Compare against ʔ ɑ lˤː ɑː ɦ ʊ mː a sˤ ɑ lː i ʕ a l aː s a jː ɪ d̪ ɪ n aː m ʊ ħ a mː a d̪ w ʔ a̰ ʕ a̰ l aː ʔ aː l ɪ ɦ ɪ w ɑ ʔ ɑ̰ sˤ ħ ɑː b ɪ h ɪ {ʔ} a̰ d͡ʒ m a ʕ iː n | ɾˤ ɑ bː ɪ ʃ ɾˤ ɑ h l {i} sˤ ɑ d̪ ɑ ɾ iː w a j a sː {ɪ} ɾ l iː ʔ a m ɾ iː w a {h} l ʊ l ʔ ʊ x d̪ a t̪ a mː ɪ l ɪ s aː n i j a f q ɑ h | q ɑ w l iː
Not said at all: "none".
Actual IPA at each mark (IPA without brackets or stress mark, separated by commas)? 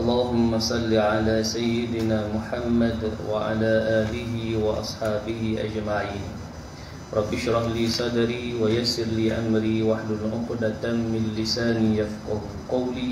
ʔ, iː, ɪ, ħ